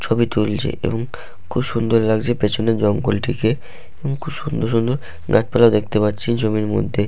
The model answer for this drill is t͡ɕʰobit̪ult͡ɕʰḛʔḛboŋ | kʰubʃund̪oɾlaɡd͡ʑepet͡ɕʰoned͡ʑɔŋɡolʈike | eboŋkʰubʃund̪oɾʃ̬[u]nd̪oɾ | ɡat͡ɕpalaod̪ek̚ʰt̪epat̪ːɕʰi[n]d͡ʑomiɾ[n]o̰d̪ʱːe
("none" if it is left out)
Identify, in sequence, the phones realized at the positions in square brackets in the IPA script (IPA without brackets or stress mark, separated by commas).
u, n, m